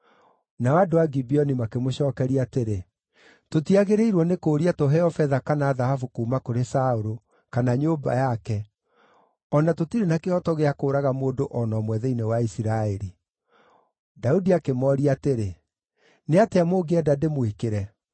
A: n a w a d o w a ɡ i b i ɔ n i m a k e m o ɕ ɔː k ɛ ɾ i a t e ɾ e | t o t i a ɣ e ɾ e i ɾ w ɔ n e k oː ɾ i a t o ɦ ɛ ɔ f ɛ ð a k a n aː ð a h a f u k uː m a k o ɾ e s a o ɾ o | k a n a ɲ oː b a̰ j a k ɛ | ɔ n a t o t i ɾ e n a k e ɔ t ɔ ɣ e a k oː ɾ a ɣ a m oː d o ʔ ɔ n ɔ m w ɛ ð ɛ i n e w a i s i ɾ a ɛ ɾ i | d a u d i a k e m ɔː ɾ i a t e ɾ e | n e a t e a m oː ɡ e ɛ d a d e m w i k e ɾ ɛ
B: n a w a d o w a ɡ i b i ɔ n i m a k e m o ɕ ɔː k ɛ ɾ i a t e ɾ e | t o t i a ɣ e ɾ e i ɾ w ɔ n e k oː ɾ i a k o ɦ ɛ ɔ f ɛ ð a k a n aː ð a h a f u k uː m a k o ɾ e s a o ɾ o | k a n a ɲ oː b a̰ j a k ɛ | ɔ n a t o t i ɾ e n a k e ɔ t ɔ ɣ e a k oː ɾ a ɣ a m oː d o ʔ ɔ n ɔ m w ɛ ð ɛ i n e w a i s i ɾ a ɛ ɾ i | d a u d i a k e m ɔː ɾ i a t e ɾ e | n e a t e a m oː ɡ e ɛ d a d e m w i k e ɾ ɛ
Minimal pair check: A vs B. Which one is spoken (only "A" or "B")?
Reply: A